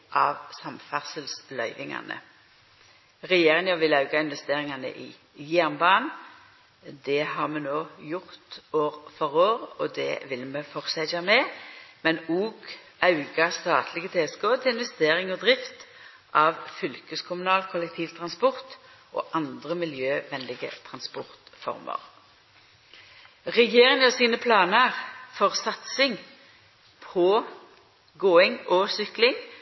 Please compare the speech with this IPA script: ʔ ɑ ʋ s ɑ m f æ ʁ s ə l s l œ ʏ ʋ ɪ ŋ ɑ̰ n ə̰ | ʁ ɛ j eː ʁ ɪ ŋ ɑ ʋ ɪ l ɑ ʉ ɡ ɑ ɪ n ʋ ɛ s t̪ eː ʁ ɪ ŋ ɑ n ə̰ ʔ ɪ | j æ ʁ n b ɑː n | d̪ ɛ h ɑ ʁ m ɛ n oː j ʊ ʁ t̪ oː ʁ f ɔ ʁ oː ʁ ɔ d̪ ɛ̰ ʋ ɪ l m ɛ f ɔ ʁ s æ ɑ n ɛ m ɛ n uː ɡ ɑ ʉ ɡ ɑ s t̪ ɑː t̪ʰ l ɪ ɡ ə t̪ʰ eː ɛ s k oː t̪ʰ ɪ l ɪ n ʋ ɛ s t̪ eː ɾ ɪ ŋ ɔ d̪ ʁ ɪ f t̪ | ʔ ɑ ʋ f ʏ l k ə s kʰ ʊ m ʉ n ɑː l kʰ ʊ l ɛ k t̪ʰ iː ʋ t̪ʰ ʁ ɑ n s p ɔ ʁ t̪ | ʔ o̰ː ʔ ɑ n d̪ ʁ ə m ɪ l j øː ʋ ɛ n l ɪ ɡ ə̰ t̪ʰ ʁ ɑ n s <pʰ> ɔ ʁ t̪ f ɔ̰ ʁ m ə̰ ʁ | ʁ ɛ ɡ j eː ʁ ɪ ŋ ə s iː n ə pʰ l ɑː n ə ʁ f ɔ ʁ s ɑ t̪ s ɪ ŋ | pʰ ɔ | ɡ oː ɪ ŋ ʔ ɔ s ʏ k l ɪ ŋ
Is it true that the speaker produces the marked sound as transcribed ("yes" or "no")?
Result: no